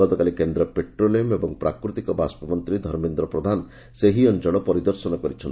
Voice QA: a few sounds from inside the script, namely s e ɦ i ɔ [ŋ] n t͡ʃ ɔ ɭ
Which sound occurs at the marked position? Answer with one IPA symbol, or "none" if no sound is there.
none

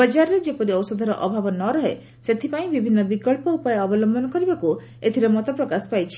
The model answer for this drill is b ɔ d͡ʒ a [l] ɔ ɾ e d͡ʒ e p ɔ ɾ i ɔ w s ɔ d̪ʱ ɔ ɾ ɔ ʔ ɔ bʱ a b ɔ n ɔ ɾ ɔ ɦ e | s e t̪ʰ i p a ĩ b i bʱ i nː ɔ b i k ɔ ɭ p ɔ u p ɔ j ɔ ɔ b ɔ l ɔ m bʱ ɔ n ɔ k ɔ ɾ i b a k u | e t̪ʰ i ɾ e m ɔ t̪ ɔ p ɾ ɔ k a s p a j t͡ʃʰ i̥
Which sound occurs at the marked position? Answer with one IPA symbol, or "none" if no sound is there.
ɾ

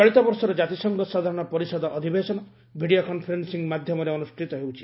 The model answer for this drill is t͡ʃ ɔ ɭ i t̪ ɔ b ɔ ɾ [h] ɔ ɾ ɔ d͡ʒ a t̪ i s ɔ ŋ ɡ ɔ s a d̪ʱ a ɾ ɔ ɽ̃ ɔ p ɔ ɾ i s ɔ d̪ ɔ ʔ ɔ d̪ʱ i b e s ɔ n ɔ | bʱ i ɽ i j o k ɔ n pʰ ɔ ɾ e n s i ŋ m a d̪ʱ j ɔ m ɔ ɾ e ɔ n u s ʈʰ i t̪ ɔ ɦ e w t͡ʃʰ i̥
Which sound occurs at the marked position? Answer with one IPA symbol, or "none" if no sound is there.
s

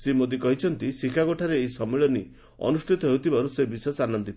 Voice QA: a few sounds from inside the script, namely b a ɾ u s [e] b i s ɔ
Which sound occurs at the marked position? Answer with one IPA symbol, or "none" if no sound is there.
e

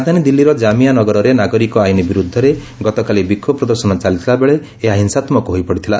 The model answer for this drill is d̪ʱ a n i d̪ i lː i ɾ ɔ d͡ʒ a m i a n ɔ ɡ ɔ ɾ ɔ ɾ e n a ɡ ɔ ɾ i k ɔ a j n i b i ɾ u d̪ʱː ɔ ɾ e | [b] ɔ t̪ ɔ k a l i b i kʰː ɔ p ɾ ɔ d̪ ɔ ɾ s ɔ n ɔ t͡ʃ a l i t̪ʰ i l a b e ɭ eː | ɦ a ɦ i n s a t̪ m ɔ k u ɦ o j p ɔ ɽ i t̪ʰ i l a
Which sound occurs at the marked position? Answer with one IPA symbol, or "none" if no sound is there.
ɡ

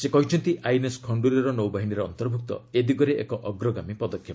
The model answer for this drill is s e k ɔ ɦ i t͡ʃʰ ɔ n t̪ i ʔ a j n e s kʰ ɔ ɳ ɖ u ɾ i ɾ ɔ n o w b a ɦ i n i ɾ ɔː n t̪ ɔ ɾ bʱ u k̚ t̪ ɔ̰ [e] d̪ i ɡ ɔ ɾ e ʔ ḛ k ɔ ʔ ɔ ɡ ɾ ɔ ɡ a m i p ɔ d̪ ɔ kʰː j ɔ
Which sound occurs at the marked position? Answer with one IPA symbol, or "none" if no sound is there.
e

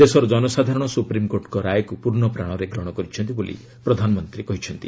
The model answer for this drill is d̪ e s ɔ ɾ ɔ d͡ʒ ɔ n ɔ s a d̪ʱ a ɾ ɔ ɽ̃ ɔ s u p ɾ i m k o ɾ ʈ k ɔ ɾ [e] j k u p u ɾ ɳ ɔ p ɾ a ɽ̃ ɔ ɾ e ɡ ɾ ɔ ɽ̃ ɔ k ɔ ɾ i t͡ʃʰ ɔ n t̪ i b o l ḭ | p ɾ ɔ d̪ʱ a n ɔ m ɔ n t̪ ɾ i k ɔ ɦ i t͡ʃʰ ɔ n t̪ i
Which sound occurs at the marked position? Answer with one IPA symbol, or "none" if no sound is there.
a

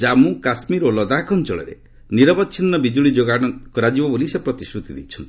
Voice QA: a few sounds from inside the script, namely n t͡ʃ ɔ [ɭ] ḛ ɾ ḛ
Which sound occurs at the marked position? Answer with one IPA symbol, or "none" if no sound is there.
ɭ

